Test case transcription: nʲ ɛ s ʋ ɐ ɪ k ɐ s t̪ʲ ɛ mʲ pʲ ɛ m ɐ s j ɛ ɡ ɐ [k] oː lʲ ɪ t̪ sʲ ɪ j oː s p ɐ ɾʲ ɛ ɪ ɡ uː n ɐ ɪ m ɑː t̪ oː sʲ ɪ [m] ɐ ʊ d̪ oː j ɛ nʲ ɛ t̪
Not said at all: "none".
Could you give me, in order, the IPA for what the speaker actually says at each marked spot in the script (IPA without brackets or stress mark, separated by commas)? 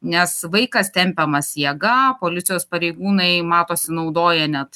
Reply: p, n